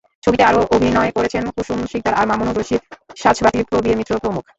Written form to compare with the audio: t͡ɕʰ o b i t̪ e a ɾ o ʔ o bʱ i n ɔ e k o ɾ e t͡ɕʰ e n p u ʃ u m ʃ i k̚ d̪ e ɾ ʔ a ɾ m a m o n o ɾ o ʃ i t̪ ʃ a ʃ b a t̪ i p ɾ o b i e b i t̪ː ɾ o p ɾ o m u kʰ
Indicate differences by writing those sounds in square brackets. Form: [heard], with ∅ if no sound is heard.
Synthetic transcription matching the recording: t͡ɕʰ o b i t̪ e a ɾ o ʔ o bʱ i n ɔ e k o ɾ e t͡ɕʰ e n [k] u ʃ u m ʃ i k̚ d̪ [a] ɾ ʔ a ɾ m a m o n o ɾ o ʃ i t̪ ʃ a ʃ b a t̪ i p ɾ o b i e [m] i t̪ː ɾ o p ɾ o m u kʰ